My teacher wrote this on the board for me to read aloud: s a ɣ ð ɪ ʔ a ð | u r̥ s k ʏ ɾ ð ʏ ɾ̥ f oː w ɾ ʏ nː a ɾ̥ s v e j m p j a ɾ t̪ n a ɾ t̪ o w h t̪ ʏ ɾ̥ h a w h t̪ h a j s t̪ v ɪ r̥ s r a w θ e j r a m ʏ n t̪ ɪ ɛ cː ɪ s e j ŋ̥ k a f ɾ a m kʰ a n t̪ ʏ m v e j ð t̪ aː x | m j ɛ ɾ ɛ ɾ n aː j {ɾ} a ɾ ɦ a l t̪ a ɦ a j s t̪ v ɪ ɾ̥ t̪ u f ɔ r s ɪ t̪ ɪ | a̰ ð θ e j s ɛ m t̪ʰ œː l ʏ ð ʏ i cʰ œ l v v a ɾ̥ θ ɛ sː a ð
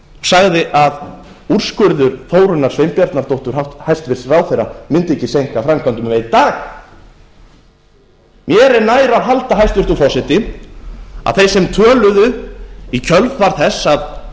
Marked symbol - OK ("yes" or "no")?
yes